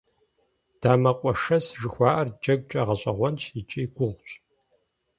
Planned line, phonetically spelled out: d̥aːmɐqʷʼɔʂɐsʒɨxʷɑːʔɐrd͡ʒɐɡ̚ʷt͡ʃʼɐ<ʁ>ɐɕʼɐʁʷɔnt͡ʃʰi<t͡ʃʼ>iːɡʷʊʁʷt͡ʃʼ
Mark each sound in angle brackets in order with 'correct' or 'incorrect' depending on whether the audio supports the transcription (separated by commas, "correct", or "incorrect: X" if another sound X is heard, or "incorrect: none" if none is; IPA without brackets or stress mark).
correct, correct